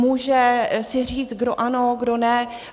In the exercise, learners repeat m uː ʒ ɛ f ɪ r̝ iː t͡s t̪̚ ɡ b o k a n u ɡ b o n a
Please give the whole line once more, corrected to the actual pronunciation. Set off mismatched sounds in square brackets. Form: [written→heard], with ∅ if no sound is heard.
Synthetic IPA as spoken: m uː ʒ ɛ [f→s] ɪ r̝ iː t͡s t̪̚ ɡ [b→d] o [k→ʔ] a n [u→o] ɡ [b→d] o n [a→ɛ]